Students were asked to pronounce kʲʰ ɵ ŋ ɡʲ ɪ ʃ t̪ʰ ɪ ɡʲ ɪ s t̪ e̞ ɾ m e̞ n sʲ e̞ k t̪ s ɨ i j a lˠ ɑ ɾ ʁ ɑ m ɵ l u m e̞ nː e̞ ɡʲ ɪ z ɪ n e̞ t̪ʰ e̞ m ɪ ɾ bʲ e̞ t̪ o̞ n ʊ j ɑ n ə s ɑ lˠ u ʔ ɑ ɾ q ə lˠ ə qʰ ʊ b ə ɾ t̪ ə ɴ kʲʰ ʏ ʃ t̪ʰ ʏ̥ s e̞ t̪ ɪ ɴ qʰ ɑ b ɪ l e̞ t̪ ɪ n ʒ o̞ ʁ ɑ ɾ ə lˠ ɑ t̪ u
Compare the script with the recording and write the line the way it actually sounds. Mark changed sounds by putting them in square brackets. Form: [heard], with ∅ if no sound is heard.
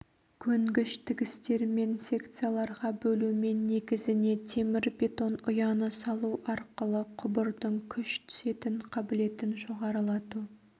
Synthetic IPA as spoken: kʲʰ ɵ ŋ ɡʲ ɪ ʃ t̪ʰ ɪ ɡʲ ɪ s t̪ e̞ ɾ m e̞ n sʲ e̞ k t̪ s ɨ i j a lˠ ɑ ɾ ʁ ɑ [b] ɵ l u m e̞ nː e̞ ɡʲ ɪ z ɪ n e̞ t̪ʰ e̞ m ɪ ɾ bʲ e̞ t̪ o̞ n ʊ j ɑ n ə s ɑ lˠ u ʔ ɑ ɾ q ə lˠ ə qʰ ʊ b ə ɾ [d̪] ə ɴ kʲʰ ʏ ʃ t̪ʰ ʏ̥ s e̞ t̪ ɪ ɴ qʰ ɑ b ɪ l e̞ t̪ ɪ n ʒ o̞ ʁ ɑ ɾ ə lˠ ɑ t̪ u

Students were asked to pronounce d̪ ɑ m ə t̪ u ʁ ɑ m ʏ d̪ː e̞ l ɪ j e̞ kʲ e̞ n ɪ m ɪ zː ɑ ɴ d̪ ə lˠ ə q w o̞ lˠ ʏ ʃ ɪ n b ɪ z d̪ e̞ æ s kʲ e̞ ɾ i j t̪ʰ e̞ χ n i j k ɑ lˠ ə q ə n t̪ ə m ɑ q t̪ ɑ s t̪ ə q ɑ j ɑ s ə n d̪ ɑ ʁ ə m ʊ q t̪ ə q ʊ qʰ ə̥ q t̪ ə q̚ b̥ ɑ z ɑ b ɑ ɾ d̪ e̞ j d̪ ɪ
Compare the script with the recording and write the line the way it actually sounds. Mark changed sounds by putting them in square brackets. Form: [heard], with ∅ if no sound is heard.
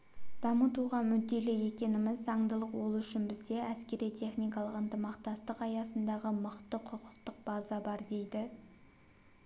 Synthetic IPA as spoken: d̪ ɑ m ə t̪ u ʁ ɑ m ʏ d̪ː e̞ l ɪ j e̞ kʲ e̞ n ɪ m ɪ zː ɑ ɴ d̪ ə lˠ ə q w o̞ lˠ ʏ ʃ ɪ n b ɪ z d̪ e̞ æ s kʲ e̞ ɾ i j t̪ʰ e̞ χ n i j k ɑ lˠ ə q ə n t̪ ə m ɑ q t̪ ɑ s t̪ ə q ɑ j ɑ s ə n d̪ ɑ ʁ ə m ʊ q t̪ ə [qʰ] ʊ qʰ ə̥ q t̪ ə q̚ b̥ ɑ z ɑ b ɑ ɾ d̪ e̞ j d̪ ɪ

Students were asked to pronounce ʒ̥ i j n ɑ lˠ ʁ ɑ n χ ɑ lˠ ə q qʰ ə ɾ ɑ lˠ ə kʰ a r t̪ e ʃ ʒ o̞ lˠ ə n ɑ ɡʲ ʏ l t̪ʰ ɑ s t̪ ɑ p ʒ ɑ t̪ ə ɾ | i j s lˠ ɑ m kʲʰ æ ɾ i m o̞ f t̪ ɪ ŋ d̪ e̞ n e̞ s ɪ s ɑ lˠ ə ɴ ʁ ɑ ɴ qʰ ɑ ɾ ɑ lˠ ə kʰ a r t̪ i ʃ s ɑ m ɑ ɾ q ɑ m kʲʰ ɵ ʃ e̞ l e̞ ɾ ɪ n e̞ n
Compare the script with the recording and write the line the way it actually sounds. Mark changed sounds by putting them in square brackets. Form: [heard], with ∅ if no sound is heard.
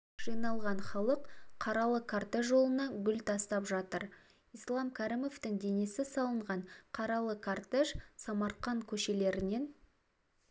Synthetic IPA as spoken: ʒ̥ i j n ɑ lˠ ʁ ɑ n χ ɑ lˠ ə q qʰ [ɑ] ɾ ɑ lˠ ə kʰ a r t̪ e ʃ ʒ o̞ lˠ ə n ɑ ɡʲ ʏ l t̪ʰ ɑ s t̪ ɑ p ʒ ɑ t̪ ə ɾ | i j s lˠ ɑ m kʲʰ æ ɾ i m o̞ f t̪ ɪ ŋ d̪ e̞ n e̞ s ɪ s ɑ lˠ ə ɴ ʁ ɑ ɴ qʰ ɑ ɾ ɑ lˠ ə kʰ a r t̪ [e] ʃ s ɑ m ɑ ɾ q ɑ [ŋ] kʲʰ ɵ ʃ e̞ l e̞ ɾ ɪ n e̞ n

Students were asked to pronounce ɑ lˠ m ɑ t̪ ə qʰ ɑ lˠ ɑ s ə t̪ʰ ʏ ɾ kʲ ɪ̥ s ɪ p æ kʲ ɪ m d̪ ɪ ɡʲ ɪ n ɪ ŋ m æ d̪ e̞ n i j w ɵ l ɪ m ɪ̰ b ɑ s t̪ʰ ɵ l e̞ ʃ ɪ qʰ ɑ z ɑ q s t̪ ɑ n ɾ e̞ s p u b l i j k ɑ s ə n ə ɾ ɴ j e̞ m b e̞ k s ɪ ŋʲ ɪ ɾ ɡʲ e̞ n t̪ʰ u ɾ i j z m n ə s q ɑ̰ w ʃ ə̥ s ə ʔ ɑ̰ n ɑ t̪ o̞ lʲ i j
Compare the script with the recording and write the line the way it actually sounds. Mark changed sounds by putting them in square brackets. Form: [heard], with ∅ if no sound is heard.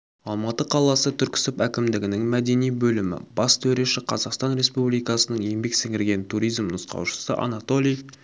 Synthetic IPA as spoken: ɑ lˠ m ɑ t̪ ə qʰ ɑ lˠ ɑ s ə t̪ʰ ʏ ɾ kʲ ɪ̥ s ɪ p æ kʲ ɪ m d̪ ɪ ɡʲ ɪ n ɪ ŋ m æ d̪ e̞ n i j [b] ɵ l ɪ m ɪ̰ b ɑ s t̪ʰ ɵ [ɾ] e̞ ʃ ɪ qʰ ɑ z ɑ q s t̪ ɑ n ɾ e̞ s p u b l i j k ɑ s ə n ə [∅] ɴ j e̞ m b e̞ k s ɪ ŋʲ ɪ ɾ ɡʲ e̞ n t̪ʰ u ɾ i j z m n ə s q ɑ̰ w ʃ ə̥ s ə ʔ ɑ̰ n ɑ t̪ o̞ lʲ i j

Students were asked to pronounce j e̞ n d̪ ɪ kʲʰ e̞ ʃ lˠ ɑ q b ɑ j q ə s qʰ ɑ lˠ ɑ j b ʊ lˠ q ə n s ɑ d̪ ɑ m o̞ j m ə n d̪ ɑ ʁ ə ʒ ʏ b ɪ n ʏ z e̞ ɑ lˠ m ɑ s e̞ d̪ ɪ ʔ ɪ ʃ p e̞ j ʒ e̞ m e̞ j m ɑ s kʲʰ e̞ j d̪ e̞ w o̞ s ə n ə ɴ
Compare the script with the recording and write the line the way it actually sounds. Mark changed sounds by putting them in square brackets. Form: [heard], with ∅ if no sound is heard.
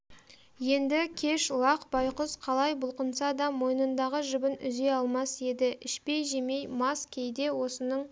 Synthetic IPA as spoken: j e̞ n d̪ ɪ kʲʰ e̞ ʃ lˠ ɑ q b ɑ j q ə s qʰ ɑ lˠ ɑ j b ʊ lˠ q ə n s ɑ d̪ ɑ m o̞ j [n] ə n d̪ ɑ ʁ ə ʒ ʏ b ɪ n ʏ z e̞ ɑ lˠ m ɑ s e̞ d̪ ɪ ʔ ɪ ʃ p e̞ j ʒ e̞ m e̞ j m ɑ s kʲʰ e̞ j d̪ e̞ w o̞ s ə n ə ɴ

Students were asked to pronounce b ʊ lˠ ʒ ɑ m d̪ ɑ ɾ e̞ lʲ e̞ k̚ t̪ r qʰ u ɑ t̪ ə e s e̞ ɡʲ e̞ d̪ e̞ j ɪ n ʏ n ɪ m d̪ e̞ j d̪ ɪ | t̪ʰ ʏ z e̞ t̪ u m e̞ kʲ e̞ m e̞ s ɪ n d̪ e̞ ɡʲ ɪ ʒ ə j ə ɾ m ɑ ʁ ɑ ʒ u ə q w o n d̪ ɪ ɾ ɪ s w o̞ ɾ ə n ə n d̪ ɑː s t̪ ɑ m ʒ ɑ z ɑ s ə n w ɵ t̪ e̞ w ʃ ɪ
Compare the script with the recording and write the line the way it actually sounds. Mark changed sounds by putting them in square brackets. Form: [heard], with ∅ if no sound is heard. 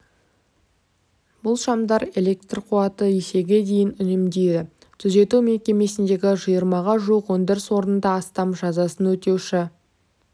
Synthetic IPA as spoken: b ʊ lˠ [ʃ] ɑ m d̪ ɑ ɾ e̞ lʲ e̞ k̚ t̪ r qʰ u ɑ t̪ ə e s e̞ ɡʲ e̞ d̪ e̞ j ɪ n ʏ n ɪ m d̪ e̞ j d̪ ɪ | t̪ʰ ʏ z e̞ t̪ u m e̞ kʲ e̞ m e̞ s ɪ n d̪ e̞ ɡʲ ɪ ʒ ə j ə ɾ m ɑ ʁ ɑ ʒ u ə q w o n d̪ ɪ ɾ ɪ s w o̞ ɾ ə n ə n d̪ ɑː s t̪ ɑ m ʒ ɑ z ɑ s ə n w ɵ t̪ e̞ w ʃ ɪ

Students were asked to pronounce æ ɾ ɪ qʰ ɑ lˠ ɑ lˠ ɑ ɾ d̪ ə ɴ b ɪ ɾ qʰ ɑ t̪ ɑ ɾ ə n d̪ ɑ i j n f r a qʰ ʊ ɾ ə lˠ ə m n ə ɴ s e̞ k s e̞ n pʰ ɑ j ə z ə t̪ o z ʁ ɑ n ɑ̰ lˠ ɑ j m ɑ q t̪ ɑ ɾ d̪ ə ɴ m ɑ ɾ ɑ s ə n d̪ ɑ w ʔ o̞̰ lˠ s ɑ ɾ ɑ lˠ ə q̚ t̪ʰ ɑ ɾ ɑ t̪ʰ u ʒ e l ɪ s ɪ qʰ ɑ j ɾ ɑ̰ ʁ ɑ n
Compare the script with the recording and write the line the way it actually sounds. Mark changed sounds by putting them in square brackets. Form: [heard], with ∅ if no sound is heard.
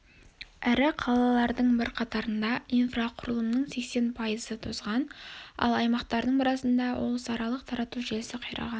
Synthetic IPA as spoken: æ ɾ ɪ qʰ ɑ lˠ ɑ lˠ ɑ ɾ d̪ ə ɴ b ɪ ɾ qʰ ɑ t̪ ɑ ɾ ə n d̪ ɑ i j n f r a qʰ ʊ ɾ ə lˠ ə m n ə ɴ s e̞ k s e̞ n pʰ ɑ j ə z ə [t̪ʰ] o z ʁ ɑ n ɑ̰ lˠ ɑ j m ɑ q t̪ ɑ ɾ d̪ ə ɴ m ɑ ɾ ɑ s ə n d̪ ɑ w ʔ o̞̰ lˠ s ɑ ɾ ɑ lˠ ə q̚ t̪ʰ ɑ ɾ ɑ [t̪] u ʒ e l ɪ s ɪ qʰ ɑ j ɾ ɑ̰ ʁ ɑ n

